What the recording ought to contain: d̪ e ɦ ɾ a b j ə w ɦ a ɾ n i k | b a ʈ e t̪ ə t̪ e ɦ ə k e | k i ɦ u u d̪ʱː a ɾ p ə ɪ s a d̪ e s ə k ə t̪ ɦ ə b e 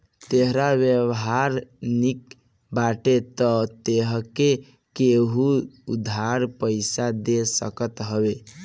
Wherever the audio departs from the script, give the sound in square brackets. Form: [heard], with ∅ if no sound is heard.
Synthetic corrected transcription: [t̪] e ɦ ɾ a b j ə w ɦ a ɾ n i k | b a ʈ e t̪ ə t̪ e ɦ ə k e | k [e] ɦ u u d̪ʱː a ɾ p ə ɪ s a d̪ e s ə k ə t̪ ɦ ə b e